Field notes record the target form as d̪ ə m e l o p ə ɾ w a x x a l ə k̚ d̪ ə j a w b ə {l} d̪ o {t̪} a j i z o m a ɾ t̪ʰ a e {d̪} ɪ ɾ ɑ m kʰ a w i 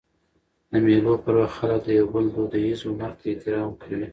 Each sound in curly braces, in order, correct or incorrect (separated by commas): correct, incorrect, incorrect